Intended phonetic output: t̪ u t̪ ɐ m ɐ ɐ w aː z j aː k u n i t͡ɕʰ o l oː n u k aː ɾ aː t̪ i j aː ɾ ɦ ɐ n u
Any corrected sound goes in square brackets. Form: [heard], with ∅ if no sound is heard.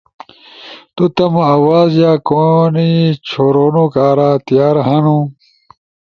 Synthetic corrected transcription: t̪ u t̪ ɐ m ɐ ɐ w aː z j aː k [o] n i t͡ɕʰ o [ɾ] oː n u k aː ɾ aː t̪ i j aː ɾ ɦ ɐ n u